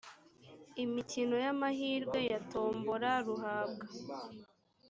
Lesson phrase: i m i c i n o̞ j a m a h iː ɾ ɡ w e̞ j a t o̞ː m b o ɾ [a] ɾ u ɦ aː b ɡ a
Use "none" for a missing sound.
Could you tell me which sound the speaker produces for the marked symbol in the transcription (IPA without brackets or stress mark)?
a